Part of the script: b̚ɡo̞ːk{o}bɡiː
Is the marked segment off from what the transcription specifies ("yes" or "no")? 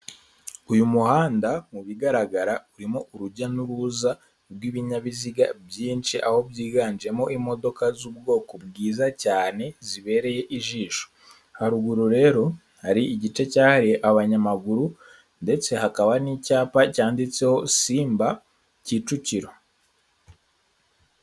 no